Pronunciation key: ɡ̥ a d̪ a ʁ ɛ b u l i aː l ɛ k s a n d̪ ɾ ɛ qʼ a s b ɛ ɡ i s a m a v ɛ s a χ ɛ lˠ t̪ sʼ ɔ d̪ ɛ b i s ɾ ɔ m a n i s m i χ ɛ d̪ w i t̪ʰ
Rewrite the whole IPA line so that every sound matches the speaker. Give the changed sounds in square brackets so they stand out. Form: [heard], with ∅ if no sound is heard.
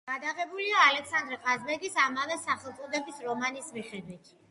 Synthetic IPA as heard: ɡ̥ a d̪ a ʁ ɛ b u l i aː l ɛ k s a n d̪ ɾ ɛ qʼ a [z] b ɛ ɡ i s a m a v ɛ s a χ ɛ lˠ t̪ sʼ ɔ d̪ ɛ b i s ɾ ɔ m a n i s m i χ ɛ d̪ w i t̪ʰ